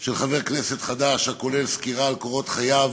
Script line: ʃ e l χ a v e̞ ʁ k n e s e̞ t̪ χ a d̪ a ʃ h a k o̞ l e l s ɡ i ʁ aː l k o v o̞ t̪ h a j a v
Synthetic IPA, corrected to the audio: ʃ e l χ a v e̞ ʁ k n e s e̞ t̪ χ a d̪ a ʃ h a k o̞ l e l s k i ʁ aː l k o ʁ o̞ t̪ χ a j a v